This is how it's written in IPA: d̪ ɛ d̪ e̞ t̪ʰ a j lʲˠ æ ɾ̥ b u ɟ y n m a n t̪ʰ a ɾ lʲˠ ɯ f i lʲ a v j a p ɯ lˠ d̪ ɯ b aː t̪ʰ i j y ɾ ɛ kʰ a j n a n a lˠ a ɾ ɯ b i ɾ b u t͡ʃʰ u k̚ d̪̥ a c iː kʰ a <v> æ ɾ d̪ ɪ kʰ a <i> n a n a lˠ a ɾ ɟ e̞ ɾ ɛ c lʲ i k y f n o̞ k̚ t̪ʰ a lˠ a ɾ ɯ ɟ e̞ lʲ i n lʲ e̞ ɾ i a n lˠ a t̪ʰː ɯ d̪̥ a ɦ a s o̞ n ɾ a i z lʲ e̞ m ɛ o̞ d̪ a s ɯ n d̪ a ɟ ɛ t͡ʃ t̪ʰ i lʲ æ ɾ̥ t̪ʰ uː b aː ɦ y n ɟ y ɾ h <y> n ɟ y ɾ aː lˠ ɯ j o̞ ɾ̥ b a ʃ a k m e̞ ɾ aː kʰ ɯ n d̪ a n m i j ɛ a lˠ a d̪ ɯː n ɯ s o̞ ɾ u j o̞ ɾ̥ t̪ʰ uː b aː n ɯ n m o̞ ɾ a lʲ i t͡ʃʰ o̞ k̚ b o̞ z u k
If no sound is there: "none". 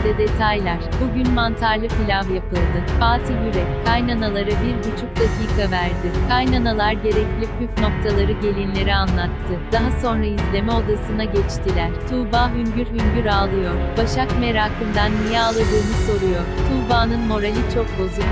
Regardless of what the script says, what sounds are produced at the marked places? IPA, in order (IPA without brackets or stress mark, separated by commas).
v, j, y